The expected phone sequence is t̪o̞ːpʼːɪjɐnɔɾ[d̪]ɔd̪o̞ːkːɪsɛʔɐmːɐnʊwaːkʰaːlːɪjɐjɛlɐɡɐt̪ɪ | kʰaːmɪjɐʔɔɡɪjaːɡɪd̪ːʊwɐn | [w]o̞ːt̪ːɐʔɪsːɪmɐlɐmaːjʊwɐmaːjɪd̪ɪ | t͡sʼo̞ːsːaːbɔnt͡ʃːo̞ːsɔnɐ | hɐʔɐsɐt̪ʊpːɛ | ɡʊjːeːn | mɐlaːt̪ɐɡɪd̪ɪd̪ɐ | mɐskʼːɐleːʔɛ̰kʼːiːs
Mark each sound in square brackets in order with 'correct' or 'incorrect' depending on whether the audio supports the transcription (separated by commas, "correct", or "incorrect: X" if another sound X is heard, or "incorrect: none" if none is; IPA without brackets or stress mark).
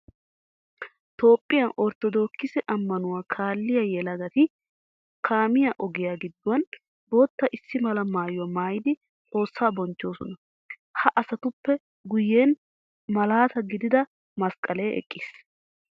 incorrect: t̪, incorrect: b